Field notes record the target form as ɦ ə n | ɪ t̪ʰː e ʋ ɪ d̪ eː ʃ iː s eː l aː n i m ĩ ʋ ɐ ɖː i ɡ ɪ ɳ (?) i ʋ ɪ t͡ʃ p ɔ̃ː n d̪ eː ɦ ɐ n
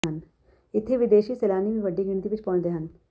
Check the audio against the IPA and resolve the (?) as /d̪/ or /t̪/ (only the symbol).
t̪